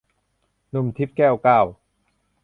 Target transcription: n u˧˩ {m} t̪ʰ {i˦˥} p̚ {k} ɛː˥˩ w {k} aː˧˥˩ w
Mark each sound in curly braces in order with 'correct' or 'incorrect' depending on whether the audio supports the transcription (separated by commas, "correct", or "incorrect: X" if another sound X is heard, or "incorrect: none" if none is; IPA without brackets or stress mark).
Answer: correct, correct, correct, correct